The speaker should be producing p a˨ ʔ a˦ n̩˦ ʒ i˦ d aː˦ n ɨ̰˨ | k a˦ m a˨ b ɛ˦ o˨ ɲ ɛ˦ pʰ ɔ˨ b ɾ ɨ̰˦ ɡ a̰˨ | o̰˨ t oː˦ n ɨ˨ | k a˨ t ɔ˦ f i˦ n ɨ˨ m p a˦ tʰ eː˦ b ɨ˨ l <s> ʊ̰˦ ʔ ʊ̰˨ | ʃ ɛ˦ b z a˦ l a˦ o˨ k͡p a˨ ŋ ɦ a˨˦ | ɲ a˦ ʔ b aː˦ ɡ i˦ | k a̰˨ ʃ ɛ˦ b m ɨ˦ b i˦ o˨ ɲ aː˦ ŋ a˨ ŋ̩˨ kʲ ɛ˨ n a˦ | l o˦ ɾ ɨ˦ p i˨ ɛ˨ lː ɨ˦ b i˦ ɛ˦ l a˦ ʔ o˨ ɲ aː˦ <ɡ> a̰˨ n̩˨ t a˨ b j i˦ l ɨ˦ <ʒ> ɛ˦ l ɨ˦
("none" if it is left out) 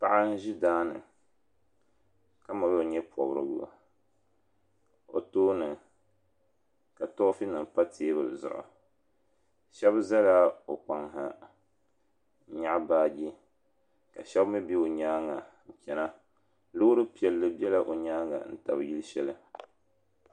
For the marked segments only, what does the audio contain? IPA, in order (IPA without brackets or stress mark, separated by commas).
z, ŋ, ʃ